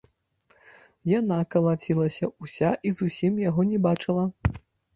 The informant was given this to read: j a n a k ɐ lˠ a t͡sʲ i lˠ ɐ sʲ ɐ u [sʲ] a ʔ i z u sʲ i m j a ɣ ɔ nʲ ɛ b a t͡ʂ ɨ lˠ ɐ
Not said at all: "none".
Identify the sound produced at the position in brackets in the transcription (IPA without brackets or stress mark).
sʲ